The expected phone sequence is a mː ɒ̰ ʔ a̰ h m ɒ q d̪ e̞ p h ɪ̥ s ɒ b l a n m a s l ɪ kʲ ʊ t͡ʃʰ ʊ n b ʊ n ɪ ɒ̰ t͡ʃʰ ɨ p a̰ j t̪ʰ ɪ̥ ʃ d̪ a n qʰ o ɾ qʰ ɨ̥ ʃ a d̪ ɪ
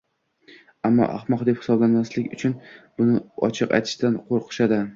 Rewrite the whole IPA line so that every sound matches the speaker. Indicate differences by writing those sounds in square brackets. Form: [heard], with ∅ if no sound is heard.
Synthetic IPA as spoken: a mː ɒ̰ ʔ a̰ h m ɒ q d̪ e̞ p h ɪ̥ s ɒ b l a n m a s l ɪ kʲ ʊ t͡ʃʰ ʊ n b ʊ n ɪ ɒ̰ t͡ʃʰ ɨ [q] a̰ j t̪ʰ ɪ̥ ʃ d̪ a n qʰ o ɾ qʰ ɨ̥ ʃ a d̪ ɪ